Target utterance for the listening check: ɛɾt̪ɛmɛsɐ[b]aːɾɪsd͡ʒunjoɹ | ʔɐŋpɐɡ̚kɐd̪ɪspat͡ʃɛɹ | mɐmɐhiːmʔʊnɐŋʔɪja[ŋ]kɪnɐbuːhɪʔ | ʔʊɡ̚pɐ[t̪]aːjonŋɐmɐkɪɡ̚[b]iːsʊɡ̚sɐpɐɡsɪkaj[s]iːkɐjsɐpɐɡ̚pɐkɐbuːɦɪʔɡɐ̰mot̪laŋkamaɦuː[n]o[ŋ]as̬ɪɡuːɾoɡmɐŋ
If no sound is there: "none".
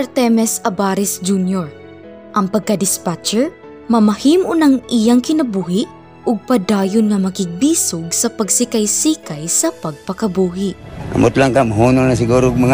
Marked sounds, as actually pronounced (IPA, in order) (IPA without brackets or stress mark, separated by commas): b, ŋ, d̪, b, s, n, n